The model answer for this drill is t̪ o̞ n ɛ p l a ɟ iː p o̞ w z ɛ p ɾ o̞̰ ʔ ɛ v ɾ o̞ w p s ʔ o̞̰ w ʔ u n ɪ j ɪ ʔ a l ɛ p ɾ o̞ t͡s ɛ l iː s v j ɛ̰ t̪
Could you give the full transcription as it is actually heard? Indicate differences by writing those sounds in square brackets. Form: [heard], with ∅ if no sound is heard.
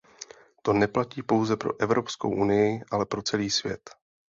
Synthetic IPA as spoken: t̪ o̞ n ɛ p l a [c] iː p o̞ w z ɛ p ɾ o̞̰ ʔ ɛ v ɾ o̞ [∅] p s [k] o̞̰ w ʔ u n ɪ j ɪ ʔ a l ɛ p ɾ o̞ t͡s ɛ l iː s v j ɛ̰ t̪